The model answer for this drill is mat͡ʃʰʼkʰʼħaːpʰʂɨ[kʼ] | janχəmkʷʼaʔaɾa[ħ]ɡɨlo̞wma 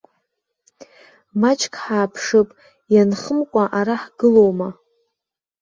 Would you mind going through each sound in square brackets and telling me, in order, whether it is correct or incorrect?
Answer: incorrect: pʼ, correct

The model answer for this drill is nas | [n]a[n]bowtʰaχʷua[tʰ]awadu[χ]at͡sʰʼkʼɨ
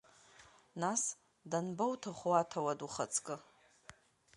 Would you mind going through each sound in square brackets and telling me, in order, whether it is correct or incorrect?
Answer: incorrect: d, correct, correct, correct

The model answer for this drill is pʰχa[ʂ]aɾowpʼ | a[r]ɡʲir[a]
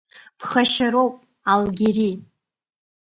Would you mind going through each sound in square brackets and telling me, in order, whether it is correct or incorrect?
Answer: incorrect: ʃ, incorrect: l, incorrect: i

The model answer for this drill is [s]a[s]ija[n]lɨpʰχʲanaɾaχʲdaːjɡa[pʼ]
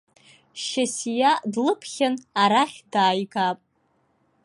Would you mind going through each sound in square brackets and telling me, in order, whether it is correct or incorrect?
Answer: incorrect: ʃ, correct, incorrect: d, correct

